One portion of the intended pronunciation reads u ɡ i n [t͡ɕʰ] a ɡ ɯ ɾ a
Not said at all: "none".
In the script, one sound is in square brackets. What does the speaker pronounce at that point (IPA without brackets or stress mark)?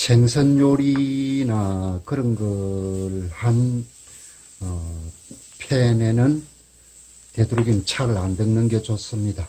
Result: t͡ɕʰ